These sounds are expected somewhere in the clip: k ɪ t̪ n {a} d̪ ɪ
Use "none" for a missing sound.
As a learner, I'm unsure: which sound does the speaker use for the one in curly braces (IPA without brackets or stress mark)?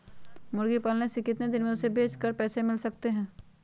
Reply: e